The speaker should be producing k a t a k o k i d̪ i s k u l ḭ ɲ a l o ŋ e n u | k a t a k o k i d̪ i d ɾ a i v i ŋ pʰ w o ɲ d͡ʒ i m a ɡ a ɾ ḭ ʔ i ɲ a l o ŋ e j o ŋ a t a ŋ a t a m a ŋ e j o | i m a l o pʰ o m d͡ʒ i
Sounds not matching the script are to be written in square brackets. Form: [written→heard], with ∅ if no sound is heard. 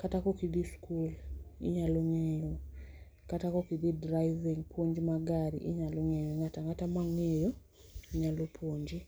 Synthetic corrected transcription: k a t a k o k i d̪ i s k u l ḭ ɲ a l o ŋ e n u | k a t a k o k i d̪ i d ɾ a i v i ŋ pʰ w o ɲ d͡ʒ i m a ɡ a ɾ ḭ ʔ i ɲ a l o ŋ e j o ŋ a t a ŋ a t a m a ŋ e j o | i [m→ɲ] a l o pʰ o [m→ɲ] d͡ʒ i